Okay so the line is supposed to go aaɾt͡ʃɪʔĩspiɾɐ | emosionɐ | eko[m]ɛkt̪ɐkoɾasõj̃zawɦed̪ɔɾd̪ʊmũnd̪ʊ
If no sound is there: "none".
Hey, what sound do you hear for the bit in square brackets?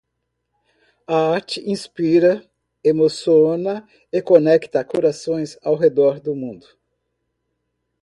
n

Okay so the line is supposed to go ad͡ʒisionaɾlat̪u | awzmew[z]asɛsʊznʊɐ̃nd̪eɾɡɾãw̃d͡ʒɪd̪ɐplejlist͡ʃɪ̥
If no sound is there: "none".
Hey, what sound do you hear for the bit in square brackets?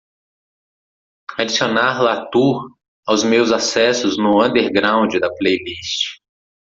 z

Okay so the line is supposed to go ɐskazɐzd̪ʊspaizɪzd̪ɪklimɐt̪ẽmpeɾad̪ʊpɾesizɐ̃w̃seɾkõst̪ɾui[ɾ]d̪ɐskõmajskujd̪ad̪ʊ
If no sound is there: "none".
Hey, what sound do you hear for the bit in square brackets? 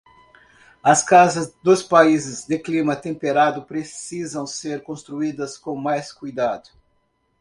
none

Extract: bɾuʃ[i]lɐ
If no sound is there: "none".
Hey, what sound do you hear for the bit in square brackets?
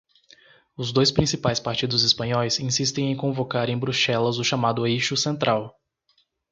ɛ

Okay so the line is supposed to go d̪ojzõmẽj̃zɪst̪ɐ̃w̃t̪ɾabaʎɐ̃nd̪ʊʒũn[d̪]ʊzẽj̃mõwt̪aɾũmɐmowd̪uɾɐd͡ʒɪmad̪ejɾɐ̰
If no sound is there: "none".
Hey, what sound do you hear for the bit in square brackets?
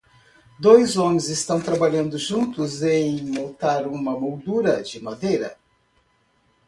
t̪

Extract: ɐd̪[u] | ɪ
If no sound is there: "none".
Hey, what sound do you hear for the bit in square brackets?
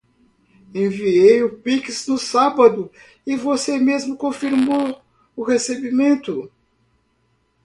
ʊ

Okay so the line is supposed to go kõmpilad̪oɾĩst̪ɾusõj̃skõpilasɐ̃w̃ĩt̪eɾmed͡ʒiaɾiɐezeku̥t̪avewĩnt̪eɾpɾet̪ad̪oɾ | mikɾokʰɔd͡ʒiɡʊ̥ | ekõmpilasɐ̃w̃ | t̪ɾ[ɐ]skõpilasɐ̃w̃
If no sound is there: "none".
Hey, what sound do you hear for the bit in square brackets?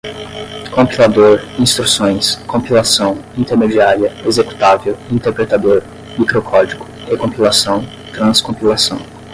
ɐ̃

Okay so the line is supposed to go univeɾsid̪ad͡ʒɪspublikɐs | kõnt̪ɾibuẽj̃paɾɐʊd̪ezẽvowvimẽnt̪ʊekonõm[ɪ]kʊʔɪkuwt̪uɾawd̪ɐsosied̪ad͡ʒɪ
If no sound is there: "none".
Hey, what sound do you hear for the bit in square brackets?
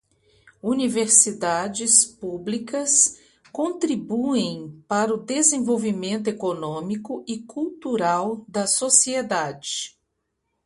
i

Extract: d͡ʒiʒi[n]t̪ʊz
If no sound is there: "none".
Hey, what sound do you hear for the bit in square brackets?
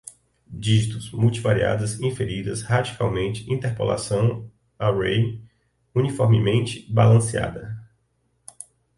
none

